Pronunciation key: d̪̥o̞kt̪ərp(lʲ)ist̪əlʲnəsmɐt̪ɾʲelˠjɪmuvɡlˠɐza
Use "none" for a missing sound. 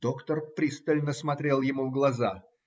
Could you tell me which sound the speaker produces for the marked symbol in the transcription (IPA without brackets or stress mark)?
ɾʲ